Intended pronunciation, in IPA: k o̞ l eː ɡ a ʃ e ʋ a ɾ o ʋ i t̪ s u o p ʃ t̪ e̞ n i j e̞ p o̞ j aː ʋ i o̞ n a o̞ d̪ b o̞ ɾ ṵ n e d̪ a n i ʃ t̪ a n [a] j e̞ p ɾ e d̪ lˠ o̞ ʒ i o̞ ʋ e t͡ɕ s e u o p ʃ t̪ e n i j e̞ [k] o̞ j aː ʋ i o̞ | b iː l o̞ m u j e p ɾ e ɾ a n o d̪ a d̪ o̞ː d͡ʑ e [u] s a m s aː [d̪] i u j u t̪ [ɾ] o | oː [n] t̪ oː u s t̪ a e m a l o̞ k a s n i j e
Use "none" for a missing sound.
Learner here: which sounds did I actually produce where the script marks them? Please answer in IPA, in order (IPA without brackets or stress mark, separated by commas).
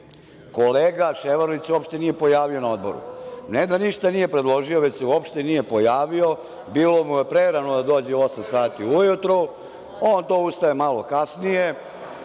i, p, o, t̪, ɾ, n